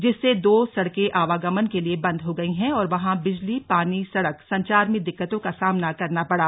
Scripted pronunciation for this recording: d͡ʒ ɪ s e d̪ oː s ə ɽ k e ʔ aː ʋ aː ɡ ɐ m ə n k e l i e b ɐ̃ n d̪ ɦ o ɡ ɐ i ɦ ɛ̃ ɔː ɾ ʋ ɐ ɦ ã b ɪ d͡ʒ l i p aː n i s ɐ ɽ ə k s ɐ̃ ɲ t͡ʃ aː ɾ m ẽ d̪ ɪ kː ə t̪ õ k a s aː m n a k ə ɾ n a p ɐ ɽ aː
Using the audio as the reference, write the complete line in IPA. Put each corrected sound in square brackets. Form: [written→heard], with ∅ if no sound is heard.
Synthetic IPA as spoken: d͡ʒ ɪ [s→sː] e d̪ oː s [ə→ɐ] ɽ k e ʔ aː ʋ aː ɡ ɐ m ə n k e l i e b ɐ̃ n d̪ ɦ o ɡ ɐ i ɦ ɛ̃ ɔː ɾ ʋ ɐ ɦ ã b ɪ d͡ʒ l i p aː n i s ɐ ɽ ə k s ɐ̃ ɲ t͡ʃ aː ɾ m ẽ d̪ ɪ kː ə t̪ õ k a s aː m n a k [ə→ɐ] ɾ n a p ɐ ɽ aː

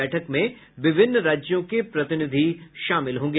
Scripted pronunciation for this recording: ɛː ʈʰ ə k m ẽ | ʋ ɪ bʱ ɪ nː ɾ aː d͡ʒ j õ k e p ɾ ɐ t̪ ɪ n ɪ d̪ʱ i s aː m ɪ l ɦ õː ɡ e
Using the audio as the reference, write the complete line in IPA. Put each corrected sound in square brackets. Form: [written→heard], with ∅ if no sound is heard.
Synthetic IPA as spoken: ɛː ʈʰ ə k m ẽ | ʋ ɪ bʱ ɪ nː ɾ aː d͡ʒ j õ k e p ɾ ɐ t̪ ɪ n ɪ d̪ʱ i [s→ʃ] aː m ɪ l ɦ õː ɡ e

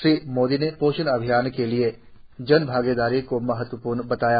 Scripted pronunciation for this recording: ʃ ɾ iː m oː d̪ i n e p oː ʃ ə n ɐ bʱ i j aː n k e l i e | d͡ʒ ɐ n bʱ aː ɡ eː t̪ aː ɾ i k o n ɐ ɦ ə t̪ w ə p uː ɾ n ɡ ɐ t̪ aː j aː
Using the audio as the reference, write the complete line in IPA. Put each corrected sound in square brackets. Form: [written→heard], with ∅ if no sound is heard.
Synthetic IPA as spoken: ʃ ɾ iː m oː d̪ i n e p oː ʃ ə n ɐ bʱ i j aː n k e l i e | d͡ʒ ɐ n bʱ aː ɡ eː [t̪→d̪] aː ɾ i k o [n→m] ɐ ɦ ə t̪ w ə p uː ɾ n [ɡ→b] ɐ t̪ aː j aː

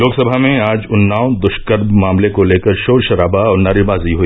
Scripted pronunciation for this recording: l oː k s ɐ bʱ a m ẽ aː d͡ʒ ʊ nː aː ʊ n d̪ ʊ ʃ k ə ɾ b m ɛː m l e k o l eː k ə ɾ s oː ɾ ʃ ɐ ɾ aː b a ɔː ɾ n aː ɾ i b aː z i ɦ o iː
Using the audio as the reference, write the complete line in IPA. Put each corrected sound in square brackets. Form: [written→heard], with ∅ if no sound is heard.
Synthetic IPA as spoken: l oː k s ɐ bʱ a m ẽ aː d͡ʒ ʊ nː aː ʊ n d̪ ʊ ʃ k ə ɾ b m [ɛː→aː] m l e k o l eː k ə ɾ [s→ʃ] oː ɾ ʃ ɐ ɾ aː b a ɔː ɾ n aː ɾ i b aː z i ɦ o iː

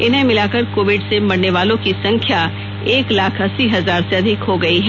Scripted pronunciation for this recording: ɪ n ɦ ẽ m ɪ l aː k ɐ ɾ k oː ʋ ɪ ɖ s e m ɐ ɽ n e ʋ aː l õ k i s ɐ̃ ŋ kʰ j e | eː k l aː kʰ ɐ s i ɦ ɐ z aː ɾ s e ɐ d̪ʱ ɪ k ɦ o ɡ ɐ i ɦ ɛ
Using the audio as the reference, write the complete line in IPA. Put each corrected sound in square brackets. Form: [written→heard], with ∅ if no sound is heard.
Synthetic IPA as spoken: ɪ n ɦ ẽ m ɪ l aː k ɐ ɾ k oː ʋ ɪ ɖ s e m ɐ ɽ n e ʋ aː l õ k i s ɐ̃ ŋ kʰ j [e→a] | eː k l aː kʰ ɐ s i ɦ ɐ z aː ɾ s e ɐ d̪ʱ ɪ k ɦ o ɡ ɐ i ɦ ɛ

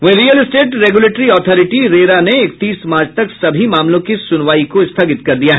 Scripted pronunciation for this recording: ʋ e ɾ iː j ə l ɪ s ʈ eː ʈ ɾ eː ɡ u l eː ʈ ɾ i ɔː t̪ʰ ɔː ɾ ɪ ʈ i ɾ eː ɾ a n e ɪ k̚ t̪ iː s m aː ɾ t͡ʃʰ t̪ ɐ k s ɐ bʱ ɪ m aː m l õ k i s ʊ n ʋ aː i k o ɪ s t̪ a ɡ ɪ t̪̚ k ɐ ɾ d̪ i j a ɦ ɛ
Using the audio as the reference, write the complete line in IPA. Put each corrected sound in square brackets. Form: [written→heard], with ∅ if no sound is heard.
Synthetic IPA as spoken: ʋ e ɾ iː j ə l ɪ s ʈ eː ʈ ɾ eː ɡ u l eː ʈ ɾ i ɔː t̪ʰ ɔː ɾ ɪ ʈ i ɾ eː ɾ a n e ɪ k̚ t̪ iː s m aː ɾ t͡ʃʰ t̪ ɐ k s ɐ bʱ [ɪ→i] m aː m l õ k i s ʊ n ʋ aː i k o ɪ s [t̪→t̪ʰ] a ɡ ɪ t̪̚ k ɐ ɾ d̪ i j a ɦ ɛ

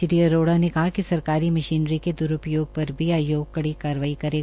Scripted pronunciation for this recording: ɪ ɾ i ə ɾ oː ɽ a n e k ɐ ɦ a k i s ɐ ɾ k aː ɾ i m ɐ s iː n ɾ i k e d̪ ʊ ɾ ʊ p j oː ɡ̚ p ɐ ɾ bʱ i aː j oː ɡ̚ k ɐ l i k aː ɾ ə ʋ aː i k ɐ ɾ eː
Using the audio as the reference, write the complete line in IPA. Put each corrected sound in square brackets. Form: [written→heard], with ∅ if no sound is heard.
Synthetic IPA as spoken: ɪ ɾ i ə ɾ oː ɽ a n e k ɐ ɦ a k i s ɐ ɾ k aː ɾ i m ɐ [s→ʃ] iː n ɾ i k e d̪ ʊ ɾ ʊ p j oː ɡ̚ p ɐ ɾ bʱ i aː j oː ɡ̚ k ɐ [l→ɽ] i k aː ɾ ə ʋ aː i k ɐ ɾ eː

